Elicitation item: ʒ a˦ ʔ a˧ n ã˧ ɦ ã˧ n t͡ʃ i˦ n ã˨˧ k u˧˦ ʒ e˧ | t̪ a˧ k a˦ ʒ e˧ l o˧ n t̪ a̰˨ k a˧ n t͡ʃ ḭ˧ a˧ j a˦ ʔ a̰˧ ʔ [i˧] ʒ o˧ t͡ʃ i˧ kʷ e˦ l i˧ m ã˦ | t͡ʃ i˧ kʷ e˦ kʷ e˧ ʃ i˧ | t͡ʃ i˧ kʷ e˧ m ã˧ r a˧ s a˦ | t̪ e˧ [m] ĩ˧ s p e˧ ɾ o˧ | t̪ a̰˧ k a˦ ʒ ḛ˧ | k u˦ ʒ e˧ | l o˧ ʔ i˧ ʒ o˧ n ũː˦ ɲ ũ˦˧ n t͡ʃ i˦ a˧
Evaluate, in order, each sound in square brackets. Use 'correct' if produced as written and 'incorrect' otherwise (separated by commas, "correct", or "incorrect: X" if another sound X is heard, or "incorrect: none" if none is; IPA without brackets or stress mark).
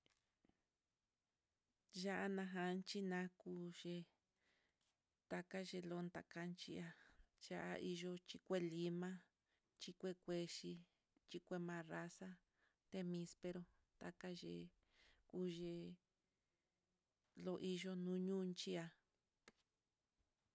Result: correct, correct